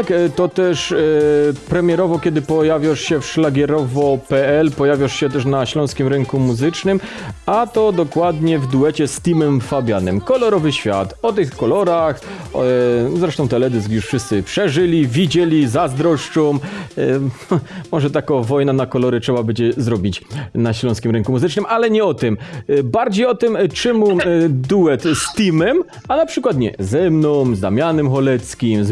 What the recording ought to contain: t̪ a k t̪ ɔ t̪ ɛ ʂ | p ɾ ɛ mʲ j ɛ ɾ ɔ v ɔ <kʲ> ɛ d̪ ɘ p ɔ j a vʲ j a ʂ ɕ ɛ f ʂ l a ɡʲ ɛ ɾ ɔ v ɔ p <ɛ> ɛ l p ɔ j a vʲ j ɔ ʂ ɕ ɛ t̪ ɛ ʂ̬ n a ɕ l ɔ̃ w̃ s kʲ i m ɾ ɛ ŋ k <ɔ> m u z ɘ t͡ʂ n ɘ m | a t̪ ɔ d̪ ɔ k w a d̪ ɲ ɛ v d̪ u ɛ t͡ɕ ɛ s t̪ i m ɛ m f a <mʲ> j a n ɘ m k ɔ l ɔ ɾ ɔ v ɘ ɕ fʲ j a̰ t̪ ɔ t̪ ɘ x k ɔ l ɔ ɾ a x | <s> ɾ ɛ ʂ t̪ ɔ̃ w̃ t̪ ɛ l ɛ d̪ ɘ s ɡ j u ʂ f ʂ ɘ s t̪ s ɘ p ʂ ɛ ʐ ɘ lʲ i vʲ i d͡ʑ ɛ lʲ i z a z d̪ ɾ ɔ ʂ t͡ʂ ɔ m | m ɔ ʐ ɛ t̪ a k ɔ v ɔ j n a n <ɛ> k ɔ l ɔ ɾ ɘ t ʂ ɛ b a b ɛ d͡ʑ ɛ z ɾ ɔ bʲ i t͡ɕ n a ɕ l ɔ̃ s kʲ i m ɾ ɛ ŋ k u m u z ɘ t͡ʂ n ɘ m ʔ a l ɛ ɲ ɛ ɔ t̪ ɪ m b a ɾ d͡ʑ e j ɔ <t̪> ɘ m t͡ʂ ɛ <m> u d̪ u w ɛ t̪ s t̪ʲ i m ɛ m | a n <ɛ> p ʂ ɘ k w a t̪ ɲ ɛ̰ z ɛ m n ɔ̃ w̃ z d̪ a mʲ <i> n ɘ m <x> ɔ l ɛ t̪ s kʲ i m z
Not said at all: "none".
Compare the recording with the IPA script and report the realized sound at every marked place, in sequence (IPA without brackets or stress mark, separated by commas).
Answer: kʲ, ɛ, u, bʲ, z, a, t̪, m, a, a, x